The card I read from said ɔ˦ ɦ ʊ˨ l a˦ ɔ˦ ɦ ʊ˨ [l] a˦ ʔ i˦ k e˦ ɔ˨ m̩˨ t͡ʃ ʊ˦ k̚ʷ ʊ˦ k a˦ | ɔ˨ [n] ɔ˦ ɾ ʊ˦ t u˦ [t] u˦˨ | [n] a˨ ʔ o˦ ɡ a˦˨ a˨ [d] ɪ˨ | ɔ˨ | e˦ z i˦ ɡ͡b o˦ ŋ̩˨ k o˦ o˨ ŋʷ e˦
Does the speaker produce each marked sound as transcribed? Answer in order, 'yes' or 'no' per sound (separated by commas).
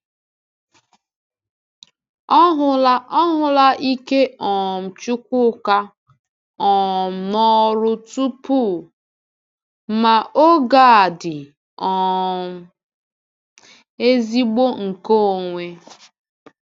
yes, yes, no, no, yes